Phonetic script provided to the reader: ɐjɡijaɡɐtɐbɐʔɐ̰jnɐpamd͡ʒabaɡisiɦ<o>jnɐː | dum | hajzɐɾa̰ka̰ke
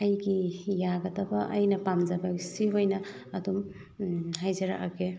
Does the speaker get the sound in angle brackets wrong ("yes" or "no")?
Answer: no